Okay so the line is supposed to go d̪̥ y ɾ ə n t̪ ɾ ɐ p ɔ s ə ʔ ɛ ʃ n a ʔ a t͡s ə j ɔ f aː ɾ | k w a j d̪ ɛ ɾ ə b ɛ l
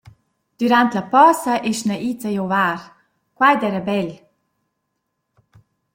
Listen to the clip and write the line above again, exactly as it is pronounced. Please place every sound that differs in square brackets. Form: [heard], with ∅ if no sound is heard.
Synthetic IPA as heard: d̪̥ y ɾ [a] n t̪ [l] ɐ p ɔ s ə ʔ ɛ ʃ n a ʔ [i] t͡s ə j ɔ [v] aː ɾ | k w a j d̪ ɛ ɾ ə b ɛ l